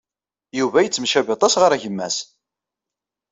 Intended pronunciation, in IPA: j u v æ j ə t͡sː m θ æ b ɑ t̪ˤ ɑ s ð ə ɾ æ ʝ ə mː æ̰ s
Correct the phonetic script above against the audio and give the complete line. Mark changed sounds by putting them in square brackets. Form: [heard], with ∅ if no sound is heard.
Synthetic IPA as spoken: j u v æ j ə t͡sː m [ʃ] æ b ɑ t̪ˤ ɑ s [ʁ] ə ɾ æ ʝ ə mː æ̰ s